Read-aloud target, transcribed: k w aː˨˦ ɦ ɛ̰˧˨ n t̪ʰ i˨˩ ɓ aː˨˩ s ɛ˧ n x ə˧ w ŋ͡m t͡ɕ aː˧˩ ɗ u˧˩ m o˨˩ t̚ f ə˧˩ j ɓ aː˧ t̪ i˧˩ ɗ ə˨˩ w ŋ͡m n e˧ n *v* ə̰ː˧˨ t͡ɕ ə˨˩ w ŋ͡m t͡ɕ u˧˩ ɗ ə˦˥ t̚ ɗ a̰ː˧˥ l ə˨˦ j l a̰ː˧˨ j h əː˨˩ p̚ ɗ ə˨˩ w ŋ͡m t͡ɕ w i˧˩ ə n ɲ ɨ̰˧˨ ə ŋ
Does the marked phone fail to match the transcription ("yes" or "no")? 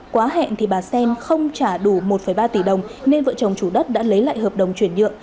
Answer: no